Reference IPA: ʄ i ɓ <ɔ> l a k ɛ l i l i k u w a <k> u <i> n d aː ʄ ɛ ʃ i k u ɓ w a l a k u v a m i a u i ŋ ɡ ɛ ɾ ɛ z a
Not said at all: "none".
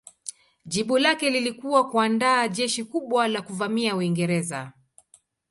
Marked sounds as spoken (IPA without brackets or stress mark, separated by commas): u, k, a